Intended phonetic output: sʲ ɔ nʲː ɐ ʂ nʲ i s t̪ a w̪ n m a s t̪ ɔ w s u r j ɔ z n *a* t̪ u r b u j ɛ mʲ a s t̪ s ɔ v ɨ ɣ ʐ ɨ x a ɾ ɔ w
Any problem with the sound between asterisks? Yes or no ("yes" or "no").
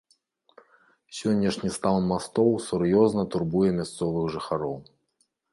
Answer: yes